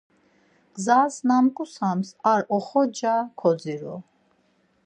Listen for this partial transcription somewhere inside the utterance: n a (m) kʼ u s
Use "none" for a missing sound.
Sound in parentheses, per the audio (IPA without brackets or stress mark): m